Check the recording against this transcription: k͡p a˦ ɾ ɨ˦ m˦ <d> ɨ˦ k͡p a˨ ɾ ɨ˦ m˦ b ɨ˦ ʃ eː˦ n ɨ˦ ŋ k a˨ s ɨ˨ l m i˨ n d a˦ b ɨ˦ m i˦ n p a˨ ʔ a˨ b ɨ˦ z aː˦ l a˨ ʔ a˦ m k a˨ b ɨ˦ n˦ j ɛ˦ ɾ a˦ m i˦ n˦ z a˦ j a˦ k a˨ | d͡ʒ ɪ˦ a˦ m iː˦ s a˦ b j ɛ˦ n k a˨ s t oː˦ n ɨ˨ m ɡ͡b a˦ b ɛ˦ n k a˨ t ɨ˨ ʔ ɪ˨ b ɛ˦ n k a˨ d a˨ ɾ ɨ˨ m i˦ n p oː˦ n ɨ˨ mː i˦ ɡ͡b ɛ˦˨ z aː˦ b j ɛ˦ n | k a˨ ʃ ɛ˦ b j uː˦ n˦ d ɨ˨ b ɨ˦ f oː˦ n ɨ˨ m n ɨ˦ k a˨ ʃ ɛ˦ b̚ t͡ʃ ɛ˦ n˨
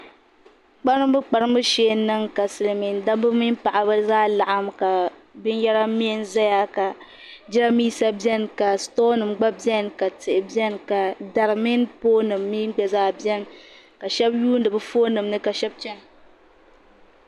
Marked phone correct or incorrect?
incorrect